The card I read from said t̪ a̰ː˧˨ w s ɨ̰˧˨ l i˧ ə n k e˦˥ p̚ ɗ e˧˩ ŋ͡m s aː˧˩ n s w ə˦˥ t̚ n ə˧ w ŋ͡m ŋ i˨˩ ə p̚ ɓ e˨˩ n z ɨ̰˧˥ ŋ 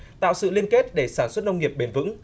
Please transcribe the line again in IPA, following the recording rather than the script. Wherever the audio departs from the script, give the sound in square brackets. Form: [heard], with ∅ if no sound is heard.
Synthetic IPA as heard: t̪ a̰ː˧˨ w s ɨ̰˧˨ l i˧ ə n k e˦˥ [t̚] ɗ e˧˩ [∅] s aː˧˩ n s w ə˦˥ t̚ n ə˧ w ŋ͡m ŋ i˨˩ ə p̚ ɓ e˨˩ n [v] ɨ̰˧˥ ŋ